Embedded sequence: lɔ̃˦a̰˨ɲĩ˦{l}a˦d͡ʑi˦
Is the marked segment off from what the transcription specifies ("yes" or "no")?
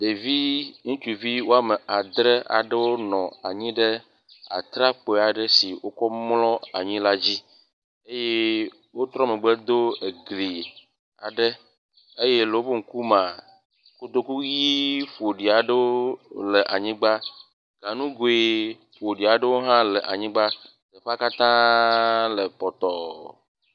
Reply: no